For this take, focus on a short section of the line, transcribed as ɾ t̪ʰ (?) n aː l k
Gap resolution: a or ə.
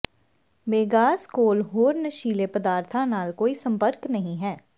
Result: a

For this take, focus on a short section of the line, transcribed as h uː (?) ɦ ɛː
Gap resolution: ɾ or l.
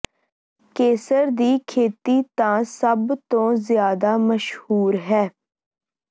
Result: ɾ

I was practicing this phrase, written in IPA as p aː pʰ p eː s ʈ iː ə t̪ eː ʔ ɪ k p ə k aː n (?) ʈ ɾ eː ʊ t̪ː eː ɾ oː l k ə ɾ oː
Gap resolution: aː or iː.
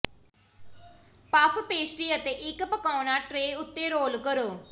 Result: aː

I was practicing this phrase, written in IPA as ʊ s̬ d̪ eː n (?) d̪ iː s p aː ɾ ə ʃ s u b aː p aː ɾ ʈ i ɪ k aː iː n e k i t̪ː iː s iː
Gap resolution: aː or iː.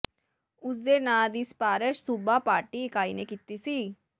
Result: aː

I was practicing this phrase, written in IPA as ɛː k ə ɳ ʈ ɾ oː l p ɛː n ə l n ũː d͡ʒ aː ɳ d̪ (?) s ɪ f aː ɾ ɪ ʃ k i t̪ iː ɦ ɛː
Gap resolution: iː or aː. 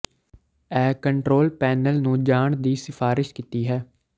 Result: iː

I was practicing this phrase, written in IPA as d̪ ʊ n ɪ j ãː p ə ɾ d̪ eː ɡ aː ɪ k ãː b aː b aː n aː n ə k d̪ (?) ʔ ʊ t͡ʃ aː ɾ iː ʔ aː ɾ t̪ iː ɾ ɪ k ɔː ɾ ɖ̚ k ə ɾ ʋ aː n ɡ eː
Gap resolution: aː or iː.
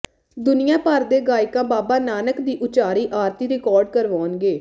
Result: iː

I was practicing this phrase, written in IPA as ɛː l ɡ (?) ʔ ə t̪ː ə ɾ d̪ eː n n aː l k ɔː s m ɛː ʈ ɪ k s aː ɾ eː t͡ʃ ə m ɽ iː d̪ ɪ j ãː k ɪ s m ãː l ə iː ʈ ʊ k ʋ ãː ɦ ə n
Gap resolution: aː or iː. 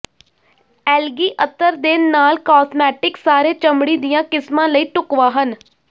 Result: iː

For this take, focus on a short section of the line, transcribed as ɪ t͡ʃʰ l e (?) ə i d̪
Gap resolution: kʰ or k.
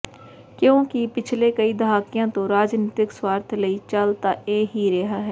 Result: k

